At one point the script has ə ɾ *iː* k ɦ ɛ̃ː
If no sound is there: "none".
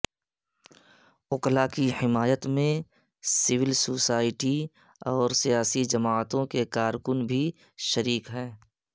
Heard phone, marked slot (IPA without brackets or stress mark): iː